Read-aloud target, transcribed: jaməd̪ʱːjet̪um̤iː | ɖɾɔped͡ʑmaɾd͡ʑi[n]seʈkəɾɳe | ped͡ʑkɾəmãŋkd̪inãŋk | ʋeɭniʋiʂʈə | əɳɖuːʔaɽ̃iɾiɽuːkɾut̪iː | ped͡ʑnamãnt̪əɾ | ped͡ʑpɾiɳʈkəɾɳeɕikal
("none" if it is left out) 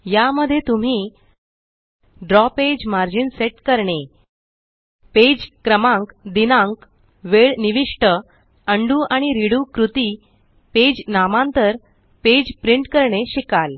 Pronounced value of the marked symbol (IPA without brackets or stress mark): n